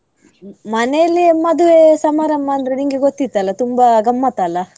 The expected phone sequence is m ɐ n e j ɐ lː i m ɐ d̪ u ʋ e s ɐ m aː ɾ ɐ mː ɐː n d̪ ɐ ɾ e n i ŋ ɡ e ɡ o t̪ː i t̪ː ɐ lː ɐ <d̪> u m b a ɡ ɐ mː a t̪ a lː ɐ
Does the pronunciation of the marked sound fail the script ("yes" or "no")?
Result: yes